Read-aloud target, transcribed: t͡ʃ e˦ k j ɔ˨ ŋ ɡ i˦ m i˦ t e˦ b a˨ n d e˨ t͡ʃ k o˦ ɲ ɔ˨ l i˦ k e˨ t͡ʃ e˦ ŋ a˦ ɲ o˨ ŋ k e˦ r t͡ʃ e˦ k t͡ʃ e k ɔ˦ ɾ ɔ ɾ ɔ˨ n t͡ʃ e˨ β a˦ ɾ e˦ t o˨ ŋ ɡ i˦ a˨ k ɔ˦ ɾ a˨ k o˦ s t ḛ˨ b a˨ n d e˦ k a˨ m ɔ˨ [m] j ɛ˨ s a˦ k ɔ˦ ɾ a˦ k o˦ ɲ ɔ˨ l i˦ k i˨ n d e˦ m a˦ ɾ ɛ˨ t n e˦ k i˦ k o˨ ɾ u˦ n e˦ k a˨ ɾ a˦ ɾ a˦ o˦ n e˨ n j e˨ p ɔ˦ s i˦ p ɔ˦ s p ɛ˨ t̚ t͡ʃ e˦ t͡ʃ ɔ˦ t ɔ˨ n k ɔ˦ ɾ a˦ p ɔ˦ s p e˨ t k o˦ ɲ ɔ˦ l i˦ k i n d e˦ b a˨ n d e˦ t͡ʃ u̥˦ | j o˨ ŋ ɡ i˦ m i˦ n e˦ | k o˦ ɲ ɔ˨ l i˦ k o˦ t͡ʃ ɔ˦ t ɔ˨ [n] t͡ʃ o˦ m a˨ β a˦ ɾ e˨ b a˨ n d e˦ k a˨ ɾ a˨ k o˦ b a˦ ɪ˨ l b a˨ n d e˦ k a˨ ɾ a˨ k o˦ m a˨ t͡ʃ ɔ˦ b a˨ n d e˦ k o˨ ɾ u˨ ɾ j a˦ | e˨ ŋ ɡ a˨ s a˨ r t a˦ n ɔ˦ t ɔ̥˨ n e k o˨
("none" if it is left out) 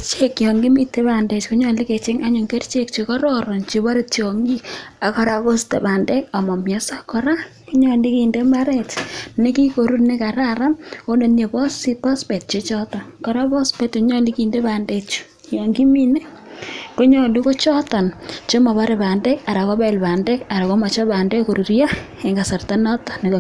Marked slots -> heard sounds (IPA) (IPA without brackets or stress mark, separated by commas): m, n